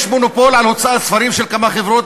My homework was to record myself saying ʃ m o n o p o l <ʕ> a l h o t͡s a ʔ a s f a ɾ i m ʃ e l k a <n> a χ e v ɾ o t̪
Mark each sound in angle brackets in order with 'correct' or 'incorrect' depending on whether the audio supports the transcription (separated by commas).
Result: correct, incorrect